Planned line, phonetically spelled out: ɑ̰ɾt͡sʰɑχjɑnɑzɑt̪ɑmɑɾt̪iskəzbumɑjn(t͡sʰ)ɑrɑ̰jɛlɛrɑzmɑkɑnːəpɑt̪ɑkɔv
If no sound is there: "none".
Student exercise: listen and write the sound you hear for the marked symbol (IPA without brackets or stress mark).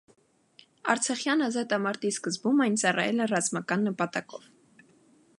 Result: t͡s